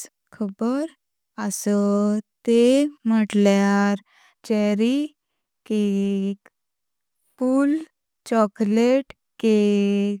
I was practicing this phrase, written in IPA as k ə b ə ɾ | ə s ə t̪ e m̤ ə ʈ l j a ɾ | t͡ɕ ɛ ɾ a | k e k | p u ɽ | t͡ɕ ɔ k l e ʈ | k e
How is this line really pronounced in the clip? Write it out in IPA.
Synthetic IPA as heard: kʰ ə b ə ɾ | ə s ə t̪ e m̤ ə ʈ l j a ɾ | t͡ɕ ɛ ɾ i | k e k | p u l | t͡ɕ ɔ k l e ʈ | k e